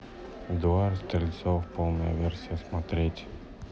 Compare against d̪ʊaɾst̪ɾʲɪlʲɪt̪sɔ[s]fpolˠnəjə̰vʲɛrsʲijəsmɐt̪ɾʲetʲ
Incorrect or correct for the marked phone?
incorrect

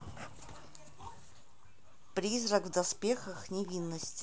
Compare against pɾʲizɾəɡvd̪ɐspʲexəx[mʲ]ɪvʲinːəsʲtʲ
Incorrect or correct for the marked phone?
incorrect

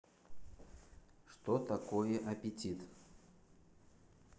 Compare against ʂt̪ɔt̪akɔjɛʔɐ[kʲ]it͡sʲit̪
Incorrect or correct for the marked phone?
incorrect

